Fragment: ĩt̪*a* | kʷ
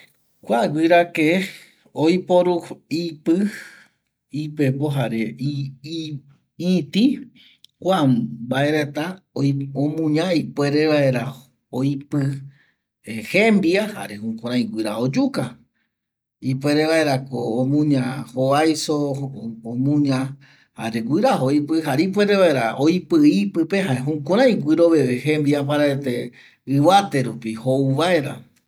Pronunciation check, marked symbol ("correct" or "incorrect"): incorrect